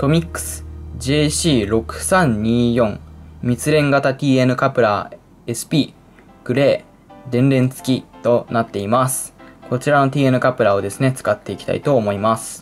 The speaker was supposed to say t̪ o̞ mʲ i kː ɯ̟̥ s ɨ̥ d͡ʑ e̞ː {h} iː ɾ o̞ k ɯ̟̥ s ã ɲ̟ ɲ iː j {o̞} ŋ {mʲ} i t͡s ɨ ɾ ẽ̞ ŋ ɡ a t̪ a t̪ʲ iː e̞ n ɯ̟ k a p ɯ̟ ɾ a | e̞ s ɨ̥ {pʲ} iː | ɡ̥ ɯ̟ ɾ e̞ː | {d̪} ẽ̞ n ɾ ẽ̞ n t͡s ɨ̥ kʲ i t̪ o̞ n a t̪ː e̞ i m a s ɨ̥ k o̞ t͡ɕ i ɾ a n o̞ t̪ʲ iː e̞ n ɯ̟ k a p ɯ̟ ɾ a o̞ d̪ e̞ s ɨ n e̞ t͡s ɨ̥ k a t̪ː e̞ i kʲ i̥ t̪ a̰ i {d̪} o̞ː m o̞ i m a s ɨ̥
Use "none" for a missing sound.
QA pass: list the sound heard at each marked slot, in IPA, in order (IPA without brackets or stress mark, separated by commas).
ɕ, õ̞, mʲ, pʲ, d̪, t̪